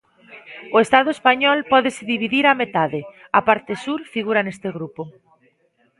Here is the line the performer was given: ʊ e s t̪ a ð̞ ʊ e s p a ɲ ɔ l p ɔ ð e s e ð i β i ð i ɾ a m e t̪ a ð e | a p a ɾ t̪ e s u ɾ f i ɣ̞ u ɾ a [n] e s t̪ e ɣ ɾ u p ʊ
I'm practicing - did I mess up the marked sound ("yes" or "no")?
no